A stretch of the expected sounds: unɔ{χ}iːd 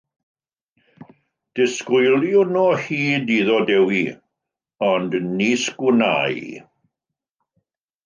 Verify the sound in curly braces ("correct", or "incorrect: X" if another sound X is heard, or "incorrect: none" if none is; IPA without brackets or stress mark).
incorrect: h